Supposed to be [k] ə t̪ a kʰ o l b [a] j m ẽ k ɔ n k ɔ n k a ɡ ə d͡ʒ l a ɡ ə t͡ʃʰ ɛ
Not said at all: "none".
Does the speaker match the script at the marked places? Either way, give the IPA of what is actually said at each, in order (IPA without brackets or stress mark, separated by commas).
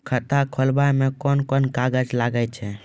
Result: kʰ, a